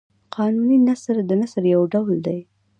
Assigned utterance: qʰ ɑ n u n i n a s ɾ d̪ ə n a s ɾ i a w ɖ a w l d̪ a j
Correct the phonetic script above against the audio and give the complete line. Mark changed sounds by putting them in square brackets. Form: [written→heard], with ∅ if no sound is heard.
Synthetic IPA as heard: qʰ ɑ n u n i n a s ɾ d̪ ə n a s ɾ [i→j] a w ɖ a w l d̪ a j